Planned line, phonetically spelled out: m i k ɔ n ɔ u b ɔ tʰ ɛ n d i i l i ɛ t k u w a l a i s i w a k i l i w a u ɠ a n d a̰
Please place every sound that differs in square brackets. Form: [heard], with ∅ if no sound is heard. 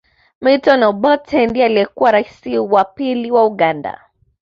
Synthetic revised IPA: m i [t] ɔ n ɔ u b ɔ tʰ ɛ n d i [a] l i ɛ [∅] k u w a [ɾ] a i s i w a [p] i l i w a u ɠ a n d a̰